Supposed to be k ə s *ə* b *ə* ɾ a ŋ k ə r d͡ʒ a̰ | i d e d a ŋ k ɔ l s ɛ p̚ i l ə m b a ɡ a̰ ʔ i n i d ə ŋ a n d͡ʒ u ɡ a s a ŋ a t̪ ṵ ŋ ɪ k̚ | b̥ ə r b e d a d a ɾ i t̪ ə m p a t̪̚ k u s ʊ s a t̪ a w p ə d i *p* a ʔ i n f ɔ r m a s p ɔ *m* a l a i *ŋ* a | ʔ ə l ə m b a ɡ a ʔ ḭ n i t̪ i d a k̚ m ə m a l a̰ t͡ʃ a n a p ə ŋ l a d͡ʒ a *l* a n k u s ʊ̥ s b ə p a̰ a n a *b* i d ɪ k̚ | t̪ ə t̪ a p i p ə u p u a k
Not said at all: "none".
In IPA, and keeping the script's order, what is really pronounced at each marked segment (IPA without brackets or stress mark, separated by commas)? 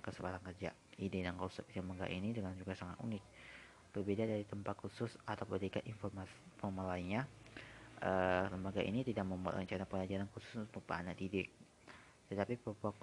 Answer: ə, a, k, m, ɲ, ɾ, d